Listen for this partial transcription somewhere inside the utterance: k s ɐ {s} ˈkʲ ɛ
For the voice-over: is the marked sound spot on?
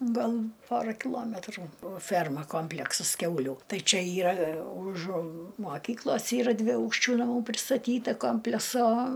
yes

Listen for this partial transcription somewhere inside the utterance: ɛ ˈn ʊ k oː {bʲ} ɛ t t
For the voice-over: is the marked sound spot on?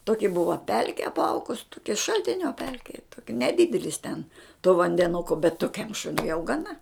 yes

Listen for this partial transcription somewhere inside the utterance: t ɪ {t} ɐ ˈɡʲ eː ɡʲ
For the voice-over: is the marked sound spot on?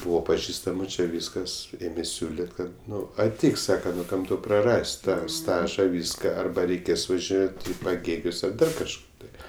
no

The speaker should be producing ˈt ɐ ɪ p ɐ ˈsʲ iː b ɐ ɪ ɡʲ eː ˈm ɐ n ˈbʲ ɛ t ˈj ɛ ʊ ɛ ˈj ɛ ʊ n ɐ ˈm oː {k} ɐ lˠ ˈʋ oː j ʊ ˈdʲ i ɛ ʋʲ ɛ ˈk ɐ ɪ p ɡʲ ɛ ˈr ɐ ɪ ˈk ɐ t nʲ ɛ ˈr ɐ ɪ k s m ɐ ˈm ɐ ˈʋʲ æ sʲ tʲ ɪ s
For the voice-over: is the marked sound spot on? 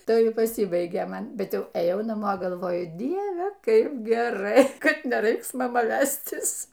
no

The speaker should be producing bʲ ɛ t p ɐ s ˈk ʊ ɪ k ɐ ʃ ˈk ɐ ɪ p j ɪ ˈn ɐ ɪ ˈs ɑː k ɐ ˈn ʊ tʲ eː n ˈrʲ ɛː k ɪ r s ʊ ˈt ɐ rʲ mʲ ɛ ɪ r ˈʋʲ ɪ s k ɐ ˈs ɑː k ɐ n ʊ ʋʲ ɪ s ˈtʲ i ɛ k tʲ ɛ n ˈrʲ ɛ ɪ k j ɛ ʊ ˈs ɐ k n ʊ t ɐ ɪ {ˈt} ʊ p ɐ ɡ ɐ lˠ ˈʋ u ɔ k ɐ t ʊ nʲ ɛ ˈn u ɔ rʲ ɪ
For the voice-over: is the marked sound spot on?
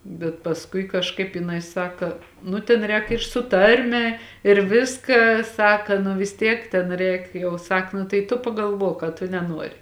yes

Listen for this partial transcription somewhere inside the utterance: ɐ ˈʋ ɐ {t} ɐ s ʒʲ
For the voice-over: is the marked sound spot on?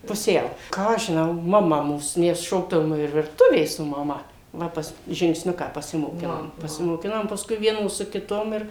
no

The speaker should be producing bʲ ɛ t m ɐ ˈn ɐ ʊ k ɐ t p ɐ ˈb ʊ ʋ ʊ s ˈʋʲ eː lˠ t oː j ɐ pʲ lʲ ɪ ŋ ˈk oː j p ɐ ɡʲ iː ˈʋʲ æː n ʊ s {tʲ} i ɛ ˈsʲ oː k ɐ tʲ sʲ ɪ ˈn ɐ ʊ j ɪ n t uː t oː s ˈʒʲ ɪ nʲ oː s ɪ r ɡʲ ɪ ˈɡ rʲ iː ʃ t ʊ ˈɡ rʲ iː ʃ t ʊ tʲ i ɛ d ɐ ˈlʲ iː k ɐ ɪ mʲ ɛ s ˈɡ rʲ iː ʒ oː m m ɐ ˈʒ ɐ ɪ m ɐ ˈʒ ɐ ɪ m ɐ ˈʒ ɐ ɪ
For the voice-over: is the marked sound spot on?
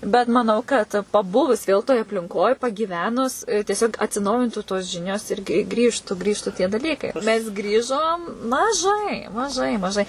yes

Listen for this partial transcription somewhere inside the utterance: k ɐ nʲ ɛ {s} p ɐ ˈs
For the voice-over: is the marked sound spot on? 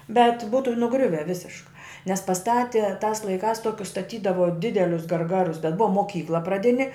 yes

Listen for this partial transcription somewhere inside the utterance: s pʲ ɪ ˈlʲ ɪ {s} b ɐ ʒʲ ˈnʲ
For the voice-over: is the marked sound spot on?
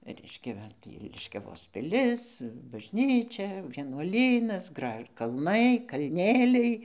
yes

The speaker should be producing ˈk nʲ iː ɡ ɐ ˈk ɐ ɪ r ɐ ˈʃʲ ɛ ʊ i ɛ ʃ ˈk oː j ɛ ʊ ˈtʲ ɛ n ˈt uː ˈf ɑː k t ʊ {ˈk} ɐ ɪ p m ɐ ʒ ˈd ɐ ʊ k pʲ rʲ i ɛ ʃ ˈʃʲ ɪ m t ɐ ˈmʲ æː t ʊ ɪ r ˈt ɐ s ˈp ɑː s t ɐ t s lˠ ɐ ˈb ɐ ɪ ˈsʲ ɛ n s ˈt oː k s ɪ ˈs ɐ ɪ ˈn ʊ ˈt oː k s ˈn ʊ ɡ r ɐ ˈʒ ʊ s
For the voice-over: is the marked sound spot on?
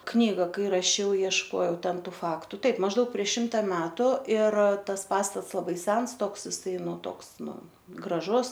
no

